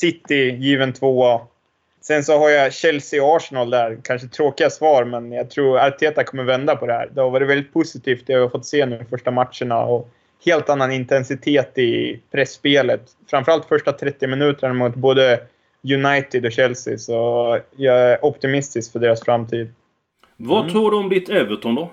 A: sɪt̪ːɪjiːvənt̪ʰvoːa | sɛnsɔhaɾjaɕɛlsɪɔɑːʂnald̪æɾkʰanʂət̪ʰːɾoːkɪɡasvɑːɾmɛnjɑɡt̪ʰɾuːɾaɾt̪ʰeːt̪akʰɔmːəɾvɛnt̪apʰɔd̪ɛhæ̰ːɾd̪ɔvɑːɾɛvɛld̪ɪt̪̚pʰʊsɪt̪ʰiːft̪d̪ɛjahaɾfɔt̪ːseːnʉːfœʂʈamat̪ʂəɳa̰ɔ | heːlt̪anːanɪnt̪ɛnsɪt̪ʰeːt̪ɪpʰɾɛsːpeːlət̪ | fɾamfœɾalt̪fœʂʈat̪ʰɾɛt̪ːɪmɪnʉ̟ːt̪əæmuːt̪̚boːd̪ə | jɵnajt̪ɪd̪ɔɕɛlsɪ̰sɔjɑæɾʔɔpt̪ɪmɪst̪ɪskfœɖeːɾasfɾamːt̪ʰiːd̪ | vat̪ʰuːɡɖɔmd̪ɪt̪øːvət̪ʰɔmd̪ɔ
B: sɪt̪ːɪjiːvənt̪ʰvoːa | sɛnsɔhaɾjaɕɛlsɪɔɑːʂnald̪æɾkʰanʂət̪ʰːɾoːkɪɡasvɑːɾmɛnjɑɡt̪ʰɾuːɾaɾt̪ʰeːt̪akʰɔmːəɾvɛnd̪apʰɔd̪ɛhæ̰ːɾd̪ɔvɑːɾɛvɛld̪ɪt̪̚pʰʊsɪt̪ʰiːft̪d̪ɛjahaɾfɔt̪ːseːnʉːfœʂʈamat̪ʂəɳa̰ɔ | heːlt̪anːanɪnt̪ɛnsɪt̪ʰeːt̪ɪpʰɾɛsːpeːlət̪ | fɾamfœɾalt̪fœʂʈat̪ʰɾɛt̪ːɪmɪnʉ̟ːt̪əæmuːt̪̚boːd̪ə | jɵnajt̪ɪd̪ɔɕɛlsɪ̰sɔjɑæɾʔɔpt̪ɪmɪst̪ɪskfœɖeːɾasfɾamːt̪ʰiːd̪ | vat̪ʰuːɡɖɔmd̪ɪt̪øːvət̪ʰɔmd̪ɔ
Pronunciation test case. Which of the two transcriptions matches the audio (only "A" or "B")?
B